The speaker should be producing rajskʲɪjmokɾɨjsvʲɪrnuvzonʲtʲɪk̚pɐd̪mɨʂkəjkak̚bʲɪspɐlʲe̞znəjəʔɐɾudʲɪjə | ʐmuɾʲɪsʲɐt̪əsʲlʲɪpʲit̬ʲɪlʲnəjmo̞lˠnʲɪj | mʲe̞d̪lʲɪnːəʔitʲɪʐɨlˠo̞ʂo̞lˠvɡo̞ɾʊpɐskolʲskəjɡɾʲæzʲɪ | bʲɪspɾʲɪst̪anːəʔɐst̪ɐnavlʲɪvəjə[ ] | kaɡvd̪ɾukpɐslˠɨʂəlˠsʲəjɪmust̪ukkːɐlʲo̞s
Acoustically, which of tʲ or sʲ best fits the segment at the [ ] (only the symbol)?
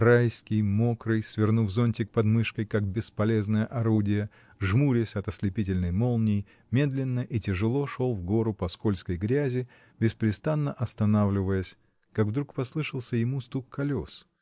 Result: sʲ